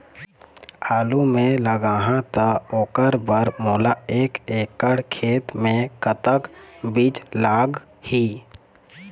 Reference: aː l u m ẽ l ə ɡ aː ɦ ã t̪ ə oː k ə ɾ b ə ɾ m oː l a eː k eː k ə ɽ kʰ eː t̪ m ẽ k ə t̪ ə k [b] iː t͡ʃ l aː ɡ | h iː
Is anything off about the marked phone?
no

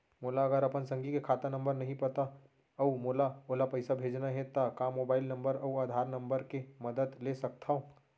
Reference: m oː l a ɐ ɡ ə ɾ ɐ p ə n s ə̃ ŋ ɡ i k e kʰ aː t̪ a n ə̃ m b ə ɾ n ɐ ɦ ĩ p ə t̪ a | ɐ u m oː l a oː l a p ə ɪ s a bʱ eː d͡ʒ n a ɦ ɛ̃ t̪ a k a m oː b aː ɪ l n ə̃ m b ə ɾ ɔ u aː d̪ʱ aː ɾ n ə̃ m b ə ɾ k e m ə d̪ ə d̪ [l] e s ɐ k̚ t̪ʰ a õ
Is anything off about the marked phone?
no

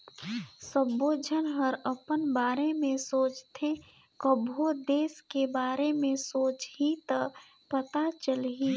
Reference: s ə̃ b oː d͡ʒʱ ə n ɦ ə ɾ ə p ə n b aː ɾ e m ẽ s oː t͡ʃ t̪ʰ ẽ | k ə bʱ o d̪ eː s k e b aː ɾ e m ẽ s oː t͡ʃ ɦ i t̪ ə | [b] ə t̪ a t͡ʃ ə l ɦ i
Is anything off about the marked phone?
yes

